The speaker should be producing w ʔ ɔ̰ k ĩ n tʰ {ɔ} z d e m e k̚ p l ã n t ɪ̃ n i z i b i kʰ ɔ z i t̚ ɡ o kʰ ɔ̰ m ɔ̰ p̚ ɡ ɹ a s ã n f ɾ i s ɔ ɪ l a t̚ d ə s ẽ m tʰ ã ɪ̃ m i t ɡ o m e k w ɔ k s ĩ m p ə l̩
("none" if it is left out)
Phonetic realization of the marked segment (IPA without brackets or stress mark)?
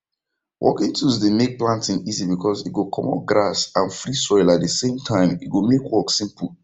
u